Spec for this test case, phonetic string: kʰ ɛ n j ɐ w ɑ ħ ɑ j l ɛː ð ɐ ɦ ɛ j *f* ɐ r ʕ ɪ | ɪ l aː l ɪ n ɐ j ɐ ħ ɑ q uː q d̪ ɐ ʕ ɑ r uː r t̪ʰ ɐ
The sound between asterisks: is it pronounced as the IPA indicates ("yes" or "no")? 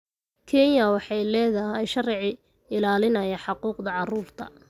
no